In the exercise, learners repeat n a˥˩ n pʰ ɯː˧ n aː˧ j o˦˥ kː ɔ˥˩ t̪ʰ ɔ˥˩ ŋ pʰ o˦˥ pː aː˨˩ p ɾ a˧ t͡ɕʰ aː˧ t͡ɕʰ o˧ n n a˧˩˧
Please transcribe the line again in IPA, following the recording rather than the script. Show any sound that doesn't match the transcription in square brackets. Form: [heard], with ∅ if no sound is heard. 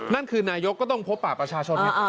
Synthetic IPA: n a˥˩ n [kʰ] ɯː˧ n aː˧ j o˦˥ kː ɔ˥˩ [t̪] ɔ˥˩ ŋ pʰ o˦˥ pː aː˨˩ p ɾ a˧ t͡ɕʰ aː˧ t͡ɕʰ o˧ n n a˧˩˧